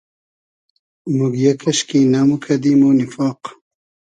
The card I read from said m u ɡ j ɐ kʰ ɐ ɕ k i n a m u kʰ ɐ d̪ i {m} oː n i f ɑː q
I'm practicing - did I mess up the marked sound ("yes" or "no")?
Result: no